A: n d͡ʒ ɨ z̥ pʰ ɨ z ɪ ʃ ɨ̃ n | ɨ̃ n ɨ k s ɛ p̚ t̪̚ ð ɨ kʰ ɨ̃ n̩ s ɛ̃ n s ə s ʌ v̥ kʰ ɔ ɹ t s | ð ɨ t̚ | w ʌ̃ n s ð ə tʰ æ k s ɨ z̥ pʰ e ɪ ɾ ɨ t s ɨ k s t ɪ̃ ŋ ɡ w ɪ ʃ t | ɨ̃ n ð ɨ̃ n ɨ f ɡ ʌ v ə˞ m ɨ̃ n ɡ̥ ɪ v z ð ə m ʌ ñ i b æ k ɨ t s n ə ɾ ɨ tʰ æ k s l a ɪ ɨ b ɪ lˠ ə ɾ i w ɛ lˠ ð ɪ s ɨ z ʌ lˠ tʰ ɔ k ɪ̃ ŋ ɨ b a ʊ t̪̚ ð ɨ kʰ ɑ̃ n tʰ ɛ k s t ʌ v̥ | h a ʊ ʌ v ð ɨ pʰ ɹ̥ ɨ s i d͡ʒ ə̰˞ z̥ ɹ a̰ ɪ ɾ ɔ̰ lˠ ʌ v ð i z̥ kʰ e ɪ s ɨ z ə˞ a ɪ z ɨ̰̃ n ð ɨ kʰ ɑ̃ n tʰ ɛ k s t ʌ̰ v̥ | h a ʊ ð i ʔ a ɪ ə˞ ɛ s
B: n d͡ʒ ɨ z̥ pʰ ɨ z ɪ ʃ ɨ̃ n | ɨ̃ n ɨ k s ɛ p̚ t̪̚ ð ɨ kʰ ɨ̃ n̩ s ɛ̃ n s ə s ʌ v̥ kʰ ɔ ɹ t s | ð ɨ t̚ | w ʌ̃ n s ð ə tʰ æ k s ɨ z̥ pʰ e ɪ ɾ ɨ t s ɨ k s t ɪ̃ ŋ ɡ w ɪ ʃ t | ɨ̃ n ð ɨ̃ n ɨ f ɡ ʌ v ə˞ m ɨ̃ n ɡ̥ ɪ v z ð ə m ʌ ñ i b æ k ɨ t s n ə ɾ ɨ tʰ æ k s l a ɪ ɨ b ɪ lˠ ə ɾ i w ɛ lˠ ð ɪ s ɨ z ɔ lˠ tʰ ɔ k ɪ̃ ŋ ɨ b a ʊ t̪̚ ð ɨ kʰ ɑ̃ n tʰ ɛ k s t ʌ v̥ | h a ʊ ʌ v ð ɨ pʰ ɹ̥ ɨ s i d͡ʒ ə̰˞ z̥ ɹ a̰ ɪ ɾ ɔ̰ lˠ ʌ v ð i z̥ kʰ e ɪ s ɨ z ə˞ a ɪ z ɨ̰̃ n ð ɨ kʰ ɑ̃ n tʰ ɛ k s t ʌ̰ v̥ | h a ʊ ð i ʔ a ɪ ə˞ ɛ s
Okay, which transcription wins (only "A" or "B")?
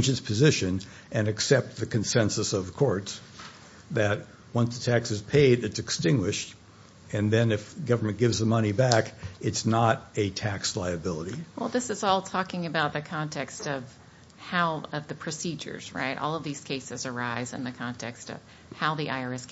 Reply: B